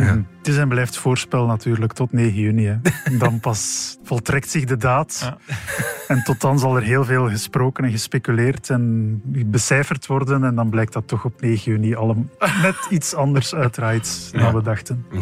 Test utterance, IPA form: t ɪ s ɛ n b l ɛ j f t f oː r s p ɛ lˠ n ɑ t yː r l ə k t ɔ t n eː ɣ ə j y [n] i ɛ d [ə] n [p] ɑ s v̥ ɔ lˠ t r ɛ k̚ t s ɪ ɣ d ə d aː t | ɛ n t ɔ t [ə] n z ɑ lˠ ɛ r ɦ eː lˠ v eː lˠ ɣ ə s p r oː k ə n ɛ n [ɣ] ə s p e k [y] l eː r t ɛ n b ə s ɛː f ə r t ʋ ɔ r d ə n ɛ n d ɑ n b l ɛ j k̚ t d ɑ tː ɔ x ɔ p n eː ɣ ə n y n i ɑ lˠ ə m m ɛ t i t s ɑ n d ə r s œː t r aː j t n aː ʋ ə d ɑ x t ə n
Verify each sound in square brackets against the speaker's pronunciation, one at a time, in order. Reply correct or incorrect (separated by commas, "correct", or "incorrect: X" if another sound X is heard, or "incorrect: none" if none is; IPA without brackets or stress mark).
correct, incorrect: ɑ, correct, incorrect: ɑ, correct, correct